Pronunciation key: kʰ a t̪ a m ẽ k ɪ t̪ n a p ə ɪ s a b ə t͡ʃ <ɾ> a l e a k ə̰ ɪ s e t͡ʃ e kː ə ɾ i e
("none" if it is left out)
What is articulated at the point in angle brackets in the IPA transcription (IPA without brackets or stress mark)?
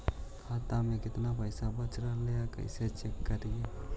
ɾ